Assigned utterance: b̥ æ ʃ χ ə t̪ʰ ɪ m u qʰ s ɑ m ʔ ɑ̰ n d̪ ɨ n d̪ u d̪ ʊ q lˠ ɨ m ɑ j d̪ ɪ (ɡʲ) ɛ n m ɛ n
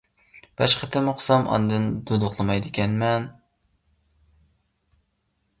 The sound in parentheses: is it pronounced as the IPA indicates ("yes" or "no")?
no